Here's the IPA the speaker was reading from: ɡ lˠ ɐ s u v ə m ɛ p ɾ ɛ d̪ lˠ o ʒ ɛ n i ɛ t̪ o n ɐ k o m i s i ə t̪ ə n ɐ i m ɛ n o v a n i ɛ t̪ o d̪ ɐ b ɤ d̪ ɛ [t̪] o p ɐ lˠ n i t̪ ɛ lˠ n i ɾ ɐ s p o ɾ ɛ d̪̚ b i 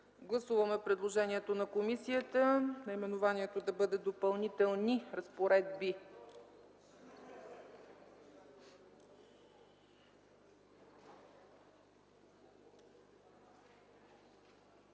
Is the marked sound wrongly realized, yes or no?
yes